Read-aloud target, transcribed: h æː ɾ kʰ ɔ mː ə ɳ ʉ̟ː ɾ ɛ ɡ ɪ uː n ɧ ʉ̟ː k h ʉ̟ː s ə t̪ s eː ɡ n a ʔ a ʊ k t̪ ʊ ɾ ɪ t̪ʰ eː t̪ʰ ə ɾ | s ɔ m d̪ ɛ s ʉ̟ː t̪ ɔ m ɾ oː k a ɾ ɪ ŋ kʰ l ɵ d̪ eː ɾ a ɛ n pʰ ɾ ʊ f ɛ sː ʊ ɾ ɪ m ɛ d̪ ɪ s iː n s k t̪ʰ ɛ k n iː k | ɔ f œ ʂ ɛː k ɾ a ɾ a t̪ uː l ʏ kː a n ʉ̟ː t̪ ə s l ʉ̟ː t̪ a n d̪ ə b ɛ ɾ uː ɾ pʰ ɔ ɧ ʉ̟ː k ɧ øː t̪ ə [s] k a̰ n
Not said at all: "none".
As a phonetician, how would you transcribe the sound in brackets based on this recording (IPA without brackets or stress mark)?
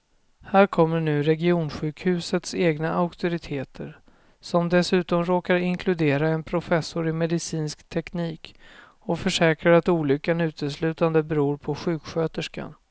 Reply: ʂ